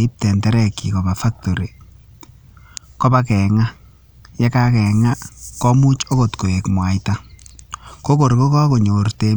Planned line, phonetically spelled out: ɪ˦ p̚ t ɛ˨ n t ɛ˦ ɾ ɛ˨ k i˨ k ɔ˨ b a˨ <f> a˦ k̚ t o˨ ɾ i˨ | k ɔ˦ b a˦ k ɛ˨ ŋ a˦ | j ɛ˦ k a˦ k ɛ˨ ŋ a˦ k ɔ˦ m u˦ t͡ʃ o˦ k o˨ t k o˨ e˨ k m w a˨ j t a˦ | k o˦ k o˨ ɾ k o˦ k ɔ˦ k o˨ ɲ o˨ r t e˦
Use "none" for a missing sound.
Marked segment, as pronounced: f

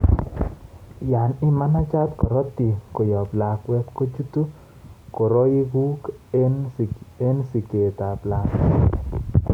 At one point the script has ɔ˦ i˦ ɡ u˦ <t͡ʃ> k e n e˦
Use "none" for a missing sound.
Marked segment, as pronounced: none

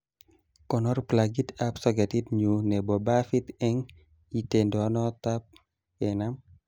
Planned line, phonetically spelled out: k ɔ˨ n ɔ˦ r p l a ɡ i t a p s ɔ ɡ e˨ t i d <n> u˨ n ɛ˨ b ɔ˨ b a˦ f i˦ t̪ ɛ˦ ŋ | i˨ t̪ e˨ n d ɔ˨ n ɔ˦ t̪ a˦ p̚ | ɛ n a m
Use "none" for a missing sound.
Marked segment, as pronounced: ɲ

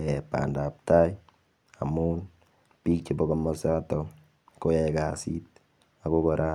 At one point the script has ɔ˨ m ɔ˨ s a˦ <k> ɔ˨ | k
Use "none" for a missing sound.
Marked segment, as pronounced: t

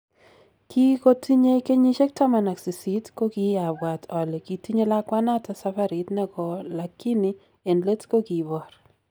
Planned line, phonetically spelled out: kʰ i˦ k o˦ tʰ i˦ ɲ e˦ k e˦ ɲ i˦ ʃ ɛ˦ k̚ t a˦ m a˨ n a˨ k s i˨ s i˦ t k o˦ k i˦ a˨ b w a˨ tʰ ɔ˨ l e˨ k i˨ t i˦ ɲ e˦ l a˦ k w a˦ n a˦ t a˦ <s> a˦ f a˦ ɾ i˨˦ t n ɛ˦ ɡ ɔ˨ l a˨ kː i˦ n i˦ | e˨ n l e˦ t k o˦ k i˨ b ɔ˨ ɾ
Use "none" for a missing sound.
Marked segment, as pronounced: s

